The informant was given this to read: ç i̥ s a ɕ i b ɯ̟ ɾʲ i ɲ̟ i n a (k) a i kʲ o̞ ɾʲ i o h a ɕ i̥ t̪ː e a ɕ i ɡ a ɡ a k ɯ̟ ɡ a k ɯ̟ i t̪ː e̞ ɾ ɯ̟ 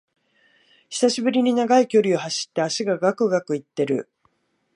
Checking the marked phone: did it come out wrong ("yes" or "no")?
yes